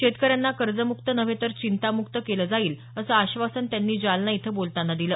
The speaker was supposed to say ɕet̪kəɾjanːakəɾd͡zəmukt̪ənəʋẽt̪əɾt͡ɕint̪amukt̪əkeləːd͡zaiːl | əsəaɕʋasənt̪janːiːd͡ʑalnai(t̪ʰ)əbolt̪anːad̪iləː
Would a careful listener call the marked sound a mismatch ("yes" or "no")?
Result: no